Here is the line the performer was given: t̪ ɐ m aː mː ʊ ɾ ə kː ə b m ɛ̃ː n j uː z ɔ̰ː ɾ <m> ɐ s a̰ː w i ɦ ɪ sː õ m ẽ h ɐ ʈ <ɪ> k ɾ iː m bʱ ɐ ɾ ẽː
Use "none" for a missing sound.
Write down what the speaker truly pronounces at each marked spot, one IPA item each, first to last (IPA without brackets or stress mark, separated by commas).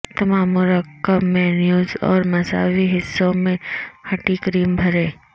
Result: m, i